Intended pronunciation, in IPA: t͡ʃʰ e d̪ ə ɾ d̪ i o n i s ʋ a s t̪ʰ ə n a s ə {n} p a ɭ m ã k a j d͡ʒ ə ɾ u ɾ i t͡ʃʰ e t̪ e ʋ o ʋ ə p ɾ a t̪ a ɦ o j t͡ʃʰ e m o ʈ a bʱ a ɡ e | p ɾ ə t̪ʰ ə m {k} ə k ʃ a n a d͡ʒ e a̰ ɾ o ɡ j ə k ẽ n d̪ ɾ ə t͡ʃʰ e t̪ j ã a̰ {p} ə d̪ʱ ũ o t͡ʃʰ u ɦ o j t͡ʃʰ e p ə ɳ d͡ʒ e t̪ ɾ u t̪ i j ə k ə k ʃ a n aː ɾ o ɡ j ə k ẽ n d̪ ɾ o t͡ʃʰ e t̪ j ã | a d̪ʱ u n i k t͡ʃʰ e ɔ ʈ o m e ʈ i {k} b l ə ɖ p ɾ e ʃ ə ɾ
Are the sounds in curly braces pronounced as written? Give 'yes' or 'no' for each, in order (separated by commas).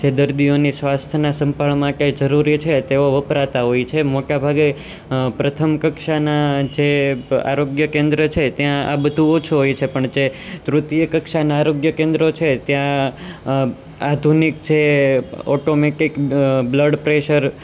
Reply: no, yes, no, yes